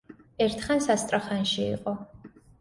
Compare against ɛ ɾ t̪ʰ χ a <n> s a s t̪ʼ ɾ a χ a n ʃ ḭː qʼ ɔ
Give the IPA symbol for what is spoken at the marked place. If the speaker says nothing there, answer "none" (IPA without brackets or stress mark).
n